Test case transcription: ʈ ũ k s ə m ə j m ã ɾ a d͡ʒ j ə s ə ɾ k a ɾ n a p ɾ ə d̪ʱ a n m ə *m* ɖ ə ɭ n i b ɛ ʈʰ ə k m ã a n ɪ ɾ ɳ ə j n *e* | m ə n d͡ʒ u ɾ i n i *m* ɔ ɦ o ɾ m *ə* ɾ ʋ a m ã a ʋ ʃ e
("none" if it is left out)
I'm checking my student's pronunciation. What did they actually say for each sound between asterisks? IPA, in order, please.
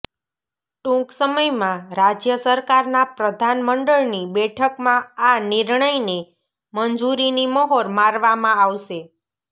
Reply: ɳ, e, m, a

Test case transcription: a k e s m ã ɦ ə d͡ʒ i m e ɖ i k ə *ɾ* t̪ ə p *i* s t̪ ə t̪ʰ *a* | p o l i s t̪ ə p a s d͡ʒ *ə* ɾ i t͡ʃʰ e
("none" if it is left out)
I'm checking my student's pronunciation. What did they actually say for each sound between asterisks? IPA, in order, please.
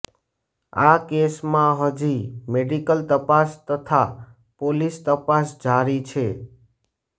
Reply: l, a, a, a

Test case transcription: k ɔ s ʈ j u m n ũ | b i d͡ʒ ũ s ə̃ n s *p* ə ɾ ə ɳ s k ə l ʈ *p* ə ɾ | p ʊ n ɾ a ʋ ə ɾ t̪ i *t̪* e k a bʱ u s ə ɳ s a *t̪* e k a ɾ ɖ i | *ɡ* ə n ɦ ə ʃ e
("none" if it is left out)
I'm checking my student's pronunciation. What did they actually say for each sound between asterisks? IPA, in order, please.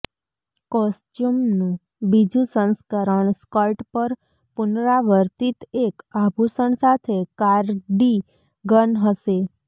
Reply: k, p, t̪, t̪ʰ, ɡ

